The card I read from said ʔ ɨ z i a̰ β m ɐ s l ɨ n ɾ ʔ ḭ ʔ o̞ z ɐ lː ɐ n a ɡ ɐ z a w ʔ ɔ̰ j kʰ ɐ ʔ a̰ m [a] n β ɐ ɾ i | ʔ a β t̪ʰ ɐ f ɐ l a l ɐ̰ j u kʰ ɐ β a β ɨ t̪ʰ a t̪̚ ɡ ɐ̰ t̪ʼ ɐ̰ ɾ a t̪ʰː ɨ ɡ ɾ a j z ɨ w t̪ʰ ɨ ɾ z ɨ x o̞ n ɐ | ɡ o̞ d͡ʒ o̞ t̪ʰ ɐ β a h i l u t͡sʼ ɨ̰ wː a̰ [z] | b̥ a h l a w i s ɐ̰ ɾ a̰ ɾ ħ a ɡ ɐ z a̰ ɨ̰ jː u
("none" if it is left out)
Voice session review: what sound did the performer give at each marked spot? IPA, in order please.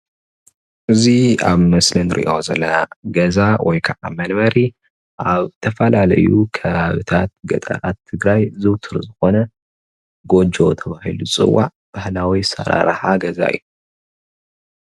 ɐ, ʕ

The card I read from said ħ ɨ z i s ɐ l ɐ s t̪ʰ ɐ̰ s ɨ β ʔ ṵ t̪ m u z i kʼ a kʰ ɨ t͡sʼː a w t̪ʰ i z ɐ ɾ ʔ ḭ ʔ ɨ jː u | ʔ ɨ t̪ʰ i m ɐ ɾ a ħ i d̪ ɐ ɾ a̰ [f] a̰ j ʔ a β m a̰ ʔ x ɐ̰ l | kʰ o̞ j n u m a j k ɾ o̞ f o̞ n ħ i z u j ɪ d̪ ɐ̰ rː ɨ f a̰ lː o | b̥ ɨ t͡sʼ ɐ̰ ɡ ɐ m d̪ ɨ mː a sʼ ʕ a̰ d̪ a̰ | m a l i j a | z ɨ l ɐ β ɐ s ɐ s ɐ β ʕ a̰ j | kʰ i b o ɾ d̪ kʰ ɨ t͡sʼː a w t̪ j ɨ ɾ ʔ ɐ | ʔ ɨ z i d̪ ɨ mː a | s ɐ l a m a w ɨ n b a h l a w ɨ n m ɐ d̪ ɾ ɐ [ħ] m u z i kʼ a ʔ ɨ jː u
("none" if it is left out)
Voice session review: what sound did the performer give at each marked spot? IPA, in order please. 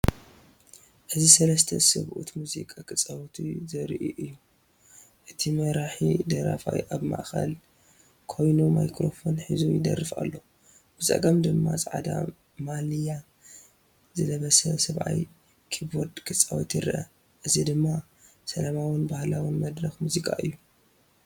f, x

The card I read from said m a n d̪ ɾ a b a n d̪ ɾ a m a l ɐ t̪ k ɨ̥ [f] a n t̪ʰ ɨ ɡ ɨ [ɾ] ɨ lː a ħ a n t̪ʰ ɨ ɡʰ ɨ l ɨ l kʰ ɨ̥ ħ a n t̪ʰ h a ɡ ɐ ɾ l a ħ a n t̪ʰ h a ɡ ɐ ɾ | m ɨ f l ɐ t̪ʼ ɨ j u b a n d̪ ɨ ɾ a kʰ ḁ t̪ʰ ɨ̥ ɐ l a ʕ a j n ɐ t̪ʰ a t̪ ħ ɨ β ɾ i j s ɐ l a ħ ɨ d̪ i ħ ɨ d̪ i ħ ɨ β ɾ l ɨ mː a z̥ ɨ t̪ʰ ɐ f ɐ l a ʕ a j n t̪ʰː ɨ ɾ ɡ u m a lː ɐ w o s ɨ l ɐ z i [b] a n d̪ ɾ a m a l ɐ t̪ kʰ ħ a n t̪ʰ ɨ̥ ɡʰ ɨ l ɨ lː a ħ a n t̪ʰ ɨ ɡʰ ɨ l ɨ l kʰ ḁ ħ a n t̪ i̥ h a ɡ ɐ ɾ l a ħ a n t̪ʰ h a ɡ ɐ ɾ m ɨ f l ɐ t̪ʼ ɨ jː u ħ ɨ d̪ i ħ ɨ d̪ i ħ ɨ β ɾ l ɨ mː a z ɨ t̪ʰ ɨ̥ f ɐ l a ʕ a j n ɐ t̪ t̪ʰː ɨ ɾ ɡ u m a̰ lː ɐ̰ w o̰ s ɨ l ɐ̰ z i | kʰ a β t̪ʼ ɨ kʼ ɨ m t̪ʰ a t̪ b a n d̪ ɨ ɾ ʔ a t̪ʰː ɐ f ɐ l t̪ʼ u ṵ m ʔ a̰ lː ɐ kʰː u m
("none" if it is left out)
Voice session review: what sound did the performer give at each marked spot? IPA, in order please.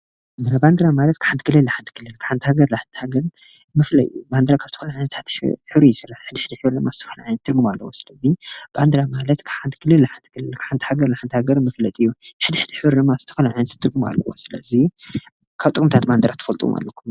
ħ, l, b

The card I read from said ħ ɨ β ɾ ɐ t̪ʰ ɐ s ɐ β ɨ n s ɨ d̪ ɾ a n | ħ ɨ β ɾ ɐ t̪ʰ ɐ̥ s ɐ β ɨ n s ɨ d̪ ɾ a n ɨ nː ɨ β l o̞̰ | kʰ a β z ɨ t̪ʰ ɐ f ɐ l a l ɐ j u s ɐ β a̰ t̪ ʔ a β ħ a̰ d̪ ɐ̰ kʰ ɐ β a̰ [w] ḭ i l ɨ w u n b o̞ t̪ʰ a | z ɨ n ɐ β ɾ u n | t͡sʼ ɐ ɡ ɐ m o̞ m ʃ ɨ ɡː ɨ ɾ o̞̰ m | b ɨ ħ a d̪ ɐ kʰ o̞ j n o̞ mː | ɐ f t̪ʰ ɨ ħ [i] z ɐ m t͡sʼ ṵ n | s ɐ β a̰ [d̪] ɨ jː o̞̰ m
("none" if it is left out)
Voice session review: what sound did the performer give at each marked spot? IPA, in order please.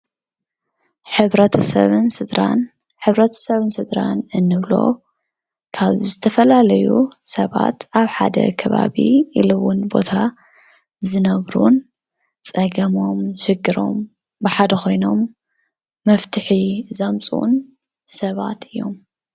β, i, t̪

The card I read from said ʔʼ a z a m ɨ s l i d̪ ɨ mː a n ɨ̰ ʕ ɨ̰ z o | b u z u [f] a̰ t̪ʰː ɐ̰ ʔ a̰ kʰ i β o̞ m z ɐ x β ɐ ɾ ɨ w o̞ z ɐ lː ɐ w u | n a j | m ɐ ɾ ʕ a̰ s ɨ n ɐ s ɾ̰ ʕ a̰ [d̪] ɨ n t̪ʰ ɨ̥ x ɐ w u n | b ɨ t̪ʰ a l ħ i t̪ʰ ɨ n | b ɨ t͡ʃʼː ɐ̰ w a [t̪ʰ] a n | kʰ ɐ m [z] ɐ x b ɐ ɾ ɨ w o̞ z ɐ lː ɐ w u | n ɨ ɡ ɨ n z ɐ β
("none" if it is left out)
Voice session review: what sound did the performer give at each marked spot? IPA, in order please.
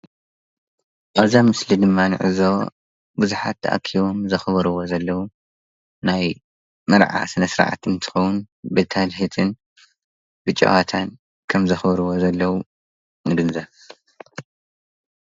ħ, t̪, t̪ʰ, z

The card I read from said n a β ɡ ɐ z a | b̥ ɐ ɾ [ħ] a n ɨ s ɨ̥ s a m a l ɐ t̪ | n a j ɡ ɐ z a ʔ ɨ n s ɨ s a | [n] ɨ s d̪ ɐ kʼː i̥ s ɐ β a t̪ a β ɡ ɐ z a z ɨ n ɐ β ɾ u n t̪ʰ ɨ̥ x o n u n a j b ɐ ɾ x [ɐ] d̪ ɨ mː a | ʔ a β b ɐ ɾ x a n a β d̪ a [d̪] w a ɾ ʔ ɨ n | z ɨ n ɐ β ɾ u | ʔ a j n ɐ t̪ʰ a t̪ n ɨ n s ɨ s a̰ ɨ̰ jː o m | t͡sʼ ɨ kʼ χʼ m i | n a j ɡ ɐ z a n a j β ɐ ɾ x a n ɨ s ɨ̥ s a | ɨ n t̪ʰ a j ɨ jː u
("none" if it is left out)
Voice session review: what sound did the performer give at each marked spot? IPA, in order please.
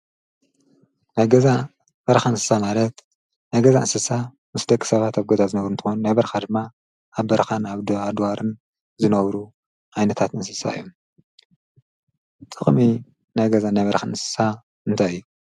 x, m, a, d̪

